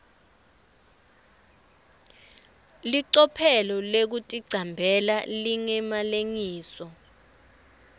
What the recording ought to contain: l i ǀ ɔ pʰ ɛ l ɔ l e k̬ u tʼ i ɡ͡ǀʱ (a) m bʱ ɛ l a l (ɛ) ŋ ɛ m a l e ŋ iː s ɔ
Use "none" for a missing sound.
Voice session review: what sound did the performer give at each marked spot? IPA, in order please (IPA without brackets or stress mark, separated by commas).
a, i